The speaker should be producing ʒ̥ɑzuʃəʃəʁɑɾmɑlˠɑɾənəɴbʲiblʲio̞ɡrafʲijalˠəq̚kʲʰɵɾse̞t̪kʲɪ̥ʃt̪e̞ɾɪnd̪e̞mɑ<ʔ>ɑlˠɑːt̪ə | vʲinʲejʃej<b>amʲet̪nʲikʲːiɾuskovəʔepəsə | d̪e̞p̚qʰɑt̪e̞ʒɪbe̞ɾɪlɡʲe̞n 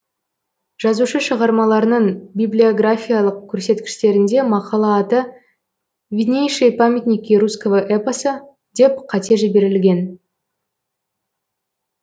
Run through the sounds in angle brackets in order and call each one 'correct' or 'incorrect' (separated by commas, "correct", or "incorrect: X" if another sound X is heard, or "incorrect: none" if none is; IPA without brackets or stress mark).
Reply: incorrect: q, incorrect: p